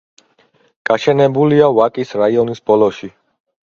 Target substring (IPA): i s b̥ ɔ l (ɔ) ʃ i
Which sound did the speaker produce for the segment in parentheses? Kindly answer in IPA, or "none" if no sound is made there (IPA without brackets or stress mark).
ɔ